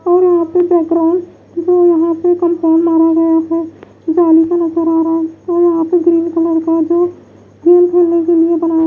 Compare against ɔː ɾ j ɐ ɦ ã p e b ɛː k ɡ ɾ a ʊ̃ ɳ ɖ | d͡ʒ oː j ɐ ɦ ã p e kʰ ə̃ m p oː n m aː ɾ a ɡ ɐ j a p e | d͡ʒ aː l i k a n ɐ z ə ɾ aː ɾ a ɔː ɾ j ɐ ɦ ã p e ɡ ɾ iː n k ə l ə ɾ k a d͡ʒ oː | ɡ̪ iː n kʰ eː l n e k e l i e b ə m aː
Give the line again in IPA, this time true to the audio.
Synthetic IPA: ɔː ɾ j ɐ ɦ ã p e b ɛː k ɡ ɾ a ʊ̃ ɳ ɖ | d͡ʒ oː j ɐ ɦ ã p e k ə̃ m p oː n m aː ɾ a ɡ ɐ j a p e | d͡ʒ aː l i k a n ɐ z ə ɾ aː ɾ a ɔː ɾ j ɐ ɦ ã p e ɡ ɾ iː n k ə l ə ɾ k a d͡ʒ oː | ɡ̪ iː n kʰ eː l n e k e l i e b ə n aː